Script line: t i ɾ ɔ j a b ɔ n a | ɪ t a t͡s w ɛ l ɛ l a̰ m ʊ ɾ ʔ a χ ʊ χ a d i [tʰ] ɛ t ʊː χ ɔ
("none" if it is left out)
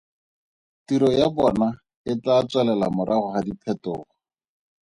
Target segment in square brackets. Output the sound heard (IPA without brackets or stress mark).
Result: pʰ